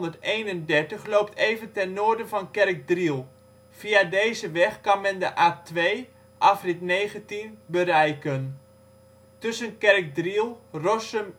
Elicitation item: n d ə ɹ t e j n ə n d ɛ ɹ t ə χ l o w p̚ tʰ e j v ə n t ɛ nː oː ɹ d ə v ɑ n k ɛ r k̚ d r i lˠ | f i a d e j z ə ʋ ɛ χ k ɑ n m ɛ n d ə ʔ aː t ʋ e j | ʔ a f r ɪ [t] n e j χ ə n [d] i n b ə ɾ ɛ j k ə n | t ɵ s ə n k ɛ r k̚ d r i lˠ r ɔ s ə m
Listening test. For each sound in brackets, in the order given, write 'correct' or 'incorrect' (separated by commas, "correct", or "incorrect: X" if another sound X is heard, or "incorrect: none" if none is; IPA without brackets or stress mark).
correct, incorrect: t